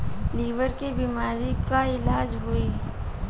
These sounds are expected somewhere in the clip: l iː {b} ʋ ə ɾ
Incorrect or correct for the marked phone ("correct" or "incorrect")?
incorrect